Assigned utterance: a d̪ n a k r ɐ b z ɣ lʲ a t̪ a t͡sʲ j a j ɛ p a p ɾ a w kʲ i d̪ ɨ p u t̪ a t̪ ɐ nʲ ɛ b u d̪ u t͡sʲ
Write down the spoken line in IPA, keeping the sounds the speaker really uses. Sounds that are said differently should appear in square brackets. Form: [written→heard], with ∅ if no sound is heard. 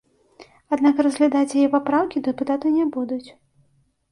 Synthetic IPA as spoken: a d̪ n a k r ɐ [b→∅] z ɣ lʲ a [t̪→d̪] a t͡sʲ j a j ɛ p a p ɾ a w kʲ i d̪ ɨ p u t̪ a t̪ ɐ nʲ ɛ b u d̪ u t͡sʲ